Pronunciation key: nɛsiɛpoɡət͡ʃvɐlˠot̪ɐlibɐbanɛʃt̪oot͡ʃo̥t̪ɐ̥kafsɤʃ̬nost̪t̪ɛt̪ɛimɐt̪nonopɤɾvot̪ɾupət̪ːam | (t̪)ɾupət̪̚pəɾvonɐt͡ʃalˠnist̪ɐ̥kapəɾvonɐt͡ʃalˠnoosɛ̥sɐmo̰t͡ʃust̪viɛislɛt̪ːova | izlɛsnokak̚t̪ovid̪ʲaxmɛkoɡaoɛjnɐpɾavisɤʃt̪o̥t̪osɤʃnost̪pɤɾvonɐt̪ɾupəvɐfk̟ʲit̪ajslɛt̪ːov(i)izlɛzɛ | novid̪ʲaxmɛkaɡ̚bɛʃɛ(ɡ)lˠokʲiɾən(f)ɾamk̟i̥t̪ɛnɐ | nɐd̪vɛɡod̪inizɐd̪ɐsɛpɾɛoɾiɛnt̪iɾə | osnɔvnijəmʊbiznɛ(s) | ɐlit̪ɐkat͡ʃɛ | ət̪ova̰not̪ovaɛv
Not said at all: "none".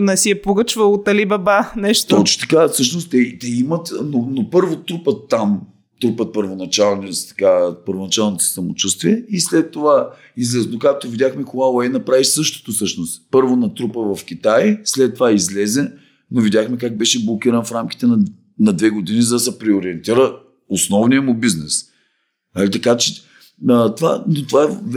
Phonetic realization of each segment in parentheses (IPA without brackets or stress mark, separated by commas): t̪, a, b, f, s